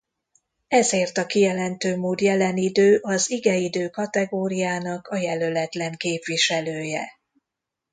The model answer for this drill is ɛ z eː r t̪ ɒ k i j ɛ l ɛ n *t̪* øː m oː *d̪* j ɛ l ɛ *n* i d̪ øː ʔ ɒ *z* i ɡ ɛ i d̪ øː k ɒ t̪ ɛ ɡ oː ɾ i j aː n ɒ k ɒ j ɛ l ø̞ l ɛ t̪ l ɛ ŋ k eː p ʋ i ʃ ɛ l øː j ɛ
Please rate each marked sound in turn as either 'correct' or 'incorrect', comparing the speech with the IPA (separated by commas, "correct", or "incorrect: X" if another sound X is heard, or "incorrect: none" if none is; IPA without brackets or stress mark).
correct, correct, correct, correct